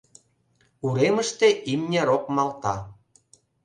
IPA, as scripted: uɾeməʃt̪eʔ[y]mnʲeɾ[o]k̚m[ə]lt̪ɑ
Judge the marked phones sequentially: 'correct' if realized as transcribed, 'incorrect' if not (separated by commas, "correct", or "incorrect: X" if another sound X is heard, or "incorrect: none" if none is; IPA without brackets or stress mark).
incorrect: i, correct, incorrect: ɑ